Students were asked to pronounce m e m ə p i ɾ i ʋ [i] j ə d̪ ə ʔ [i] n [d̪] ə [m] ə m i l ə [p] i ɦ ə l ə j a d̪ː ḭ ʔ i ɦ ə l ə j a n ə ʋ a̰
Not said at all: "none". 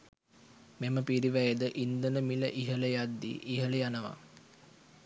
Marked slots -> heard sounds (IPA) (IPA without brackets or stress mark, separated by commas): æ, i, d̪, n, ʔ